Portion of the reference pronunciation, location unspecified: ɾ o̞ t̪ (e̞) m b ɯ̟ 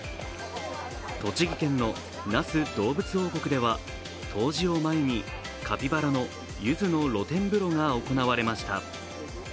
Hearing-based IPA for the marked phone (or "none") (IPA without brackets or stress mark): ẽ̞